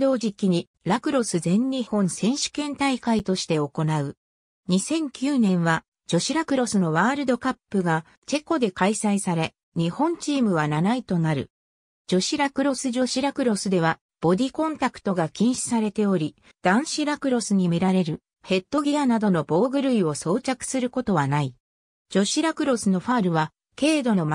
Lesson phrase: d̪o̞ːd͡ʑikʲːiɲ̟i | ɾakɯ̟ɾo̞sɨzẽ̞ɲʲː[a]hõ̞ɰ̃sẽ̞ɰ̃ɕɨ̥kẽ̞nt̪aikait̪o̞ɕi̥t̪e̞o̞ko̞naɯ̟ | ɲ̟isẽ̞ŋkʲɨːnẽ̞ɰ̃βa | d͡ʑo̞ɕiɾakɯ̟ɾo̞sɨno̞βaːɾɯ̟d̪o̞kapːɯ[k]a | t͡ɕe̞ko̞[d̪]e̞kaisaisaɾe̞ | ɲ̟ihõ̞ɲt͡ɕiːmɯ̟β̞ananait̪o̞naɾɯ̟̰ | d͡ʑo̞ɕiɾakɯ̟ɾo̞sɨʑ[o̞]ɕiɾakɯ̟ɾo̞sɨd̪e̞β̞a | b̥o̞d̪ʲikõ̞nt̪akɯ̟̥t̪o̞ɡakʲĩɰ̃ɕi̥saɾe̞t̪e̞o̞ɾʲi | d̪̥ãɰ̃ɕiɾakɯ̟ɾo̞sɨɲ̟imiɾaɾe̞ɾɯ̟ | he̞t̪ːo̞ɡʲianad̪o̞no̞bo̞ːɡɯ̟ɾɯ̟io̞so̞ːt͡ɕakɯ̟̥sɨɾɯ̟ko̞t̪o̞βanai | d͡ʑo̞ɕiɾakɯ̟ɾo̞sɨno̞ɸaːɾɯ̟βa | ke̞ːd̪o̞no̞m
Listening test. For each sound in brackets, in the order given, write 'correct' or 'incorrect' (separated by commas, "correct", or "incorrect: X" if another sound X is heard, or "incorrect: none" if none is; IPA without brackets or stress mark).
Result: incorrect: i, incorrect: ɡ, correct, correct